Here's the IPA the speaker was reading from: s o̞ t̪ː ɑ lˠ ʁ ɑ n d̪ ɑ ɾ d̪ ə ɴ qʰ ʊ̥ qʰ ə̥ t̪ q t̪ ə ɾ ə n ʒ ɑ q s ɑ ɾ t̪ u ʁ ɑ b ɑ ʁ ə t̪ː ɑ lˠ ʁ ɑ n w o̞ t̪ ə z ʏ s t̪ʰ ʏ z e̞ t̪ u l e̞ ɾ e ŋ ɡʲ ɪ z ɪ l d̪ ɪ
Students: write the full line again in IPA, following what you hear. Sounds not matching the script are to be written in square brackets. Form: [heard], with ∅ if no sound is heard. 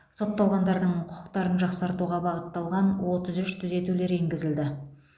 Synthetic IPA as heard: s o̞ t̪ː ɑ lˠ ʁ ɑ n d̪ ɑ ɾ d̪ ə ɴ qʰ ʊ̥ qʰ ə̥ [∅] q t̪ [ɑ] ɾ ə n ʒ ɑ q s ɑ ɾ t̪ u ʁ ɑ b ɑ ʁ ə t̪ː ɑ lˠ ʁ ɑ n w o̞ t̪ ə z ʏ [ʃ] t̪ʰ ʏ z e̞ t̪ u l e̞ ɾ e ŋ ɡʲ ɪ z ɪ l d̪ ɪ